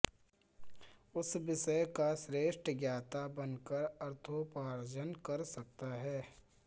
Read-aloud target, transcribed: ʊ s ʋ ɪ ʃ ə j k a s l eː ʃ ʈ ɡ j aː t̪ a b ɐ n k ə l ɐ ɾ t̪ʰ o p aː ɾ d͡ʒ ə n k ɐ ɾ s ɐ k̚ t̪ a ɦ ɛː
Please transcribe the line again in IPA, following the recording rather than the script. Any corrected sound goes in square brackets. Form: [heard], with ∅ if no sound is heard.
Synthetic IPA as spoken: ʊ s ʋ ɪ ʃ ə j k a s [ɾ] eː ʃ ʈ ɡ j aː t̪ a b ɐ n k ə [ɾ] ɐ ɾ t̪ʰ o p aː ɾ d͡ʒ ə n k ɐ ɾ s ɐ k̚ t̪ a ɦ ɛː